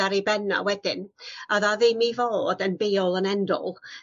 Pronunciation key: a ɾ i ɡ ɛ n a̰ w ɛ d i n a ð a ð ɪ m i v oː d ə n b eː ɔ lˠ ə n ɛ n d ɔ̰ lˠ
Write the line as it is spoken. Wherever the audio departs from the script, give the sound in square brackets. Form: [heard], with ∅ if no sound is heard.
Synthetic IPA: a ɾ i [b] ɛ n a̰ w ɛ d [ɪ] n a ð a ð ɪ m i v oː d ə n b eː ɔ lˠ ə n ɛ n d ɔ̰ lˠ